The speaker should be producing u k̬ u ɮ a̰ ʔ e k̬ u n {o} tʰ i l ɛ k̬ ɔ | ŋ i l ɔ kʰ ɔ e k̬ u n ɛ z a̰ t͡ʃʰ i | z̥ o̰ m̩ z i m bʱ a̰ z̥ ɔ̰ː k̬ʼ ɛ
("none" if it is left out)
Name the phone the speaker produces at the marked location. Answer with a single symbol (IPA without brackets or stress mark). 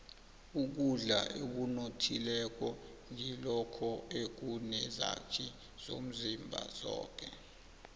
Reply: o